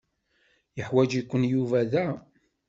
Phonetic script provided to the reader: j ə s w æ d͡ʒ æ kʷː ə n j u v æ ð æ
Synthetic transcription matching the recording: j ə ħ w æ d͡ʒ i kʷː ə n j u v æ ð æ